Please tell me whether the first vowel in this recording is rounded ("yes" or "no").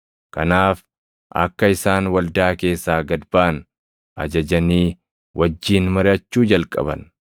no